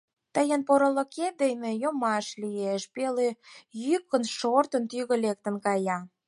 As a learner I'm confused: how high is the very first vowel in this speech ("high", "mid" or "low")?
mid